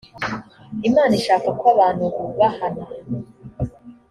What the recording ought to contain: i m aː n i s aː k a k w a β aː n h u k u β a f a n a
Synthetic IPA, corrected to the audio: i m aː n i ʃ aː k a k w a β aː n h u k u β a h a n a